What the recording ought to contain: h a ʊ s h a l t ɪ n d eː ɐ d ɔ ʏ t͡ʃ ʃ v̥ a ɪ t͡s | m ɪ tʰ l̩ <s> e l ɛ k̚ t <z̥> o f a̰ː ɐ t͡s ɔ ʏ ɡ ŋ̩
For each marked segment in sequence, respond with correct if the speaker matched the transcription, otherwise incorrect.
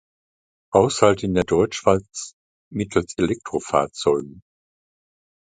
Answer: correct, incorrect: ʁ̥

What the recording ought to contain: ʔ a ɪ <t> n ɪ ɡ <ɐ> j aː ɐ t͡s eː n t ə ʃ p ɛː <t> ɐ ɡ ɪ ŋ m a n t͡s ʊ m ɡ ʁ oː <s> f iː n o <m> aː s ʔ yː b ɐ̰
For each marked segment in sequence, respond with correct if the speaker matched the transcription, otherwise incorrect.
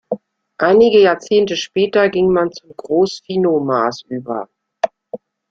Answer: incorrect: none, incorrect: ə, correct, correct, correct

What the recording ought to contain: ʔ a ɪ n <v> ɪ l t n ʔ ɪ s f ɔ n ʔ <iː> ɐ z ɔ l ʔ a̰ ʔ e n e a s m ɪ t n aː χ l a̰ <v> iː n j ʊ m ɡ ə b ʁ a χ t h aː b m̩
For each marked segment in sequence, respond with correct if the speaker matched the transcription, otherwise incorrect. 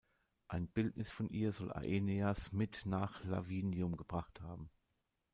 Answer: incorrect: b, correct, correct

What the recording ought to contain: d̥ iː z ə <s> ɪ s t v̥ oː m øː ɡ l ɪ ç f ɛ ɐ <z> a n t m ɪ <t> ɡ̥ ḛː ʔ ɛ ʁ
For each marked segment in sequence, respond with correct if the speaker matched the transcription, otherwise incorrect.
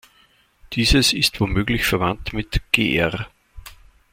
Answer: correct, incorrect: v, correct

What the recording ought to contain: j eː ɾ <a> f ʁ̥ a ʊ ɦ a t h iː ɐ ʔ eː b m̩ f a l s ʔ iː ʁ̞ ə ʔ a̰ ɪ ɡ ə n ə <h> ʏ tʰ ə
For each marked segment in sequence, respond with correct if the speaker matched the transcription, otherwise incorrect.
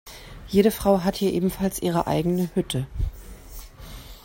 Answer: incorrect: ə, correct

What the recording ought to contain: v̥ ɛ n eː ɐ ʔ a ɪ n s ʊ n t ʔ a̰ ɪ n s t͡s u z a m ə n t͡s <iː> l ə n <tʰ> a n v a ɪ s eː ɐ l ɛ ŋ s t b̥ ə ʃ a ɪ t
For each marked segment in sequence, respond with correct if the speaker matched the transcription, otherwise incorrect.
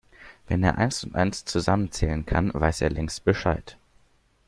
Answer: incorrect: ɛː, incorrect: kʰ

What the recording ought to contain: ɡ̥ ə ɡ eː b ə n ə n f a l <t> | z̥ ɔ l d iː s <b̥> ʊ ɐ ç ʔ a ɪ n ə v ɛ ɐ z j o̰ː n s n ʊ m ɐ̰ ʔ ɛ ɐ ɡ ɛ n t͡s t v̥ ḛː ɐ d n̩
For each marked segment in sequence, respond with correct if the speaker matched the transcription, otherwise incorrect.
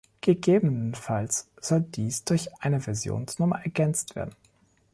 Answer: incorrect: s, incorrect: d̥

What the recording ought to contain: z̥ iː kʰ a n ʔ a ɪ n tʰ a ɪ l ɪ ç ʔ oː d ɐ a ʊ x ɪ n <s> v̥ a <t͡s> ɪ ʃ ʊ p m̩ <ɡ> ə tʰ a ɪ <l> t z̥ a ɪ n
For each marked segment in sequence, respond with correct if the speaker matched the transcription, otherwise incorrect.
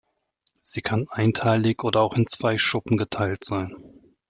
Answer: incorrect: t͡s, incorrect: none, correct, correct

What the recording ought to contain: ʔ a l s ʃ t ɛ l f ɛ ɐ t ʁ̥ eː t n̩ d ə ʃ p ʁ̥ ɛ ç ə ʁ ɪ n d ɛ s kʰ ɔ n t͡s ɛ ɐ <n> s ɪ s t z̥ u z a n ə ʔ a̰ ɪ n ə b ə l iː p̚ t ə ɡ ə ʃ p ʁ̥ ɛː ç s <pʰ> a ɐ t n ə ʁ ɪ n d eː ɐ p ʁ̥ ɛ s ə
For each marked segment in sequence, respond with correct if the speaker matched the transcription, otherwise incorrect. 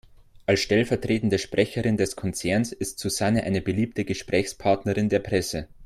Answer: correct, correct

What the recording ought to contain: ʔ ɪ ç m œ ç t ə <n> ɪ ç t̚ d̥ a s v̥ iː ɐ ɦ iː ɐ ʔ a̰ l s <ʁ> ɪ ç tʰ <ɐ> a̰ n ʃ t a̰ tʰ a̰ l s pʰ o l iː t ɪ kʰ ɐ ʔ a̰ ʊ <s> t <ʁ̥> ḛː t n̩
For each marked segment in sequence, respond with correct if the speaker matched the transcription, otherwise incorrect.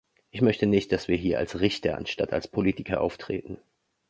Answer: correct, correct, correct, incorrect: f, correct

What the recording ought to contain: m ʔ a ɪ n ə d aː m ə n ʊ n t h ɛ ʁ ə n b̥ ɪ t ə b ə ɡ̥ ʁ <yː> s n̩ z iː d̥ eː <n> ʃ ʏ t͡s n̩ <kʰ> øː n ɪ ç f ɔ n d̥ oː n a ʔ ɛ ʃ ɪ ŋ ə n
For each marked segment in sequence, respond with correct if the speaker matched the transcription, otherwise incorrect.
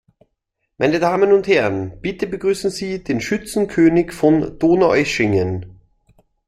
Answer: correct, correct, correct

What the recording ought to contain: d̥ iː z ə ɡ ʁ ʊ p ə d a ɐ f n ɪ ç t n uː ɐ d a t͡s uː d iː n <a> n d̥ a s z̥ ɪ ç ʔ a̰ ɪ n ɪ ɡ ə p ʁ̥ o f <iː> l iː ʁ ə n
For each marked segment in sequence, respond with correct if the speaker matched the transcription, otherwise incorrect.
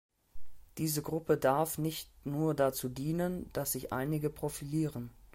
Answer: incorrect: ə, incorrect: i

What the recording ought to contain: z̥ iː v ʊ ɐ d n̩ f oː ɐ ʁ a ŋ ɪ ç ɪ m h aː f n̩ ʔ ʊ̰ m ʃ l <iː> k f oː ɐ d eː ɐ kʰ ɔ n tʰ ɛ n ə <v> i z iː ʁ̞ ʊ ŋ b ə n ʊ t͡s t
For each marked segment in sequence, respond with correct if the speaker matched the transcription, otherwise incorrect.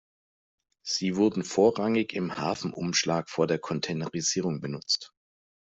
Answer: incorrect: aː, incorrect: ʁ

